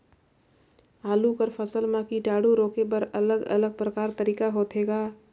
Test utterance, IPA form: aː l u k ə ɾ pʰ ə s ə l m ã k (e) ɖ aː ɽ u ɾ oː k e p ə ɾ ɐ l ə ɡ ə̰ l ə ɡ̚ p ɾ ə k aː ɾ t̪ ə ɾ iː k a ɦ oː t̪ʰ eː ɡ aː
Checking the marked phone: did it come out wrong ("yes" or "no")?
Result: yes